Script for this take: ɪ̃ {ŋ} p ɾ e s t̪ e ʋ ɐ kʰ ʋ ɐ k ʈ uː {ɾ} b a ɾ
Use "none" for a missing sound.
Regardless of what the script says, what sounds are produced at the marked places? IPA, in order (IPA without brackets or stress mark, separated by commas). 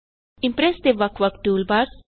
m, l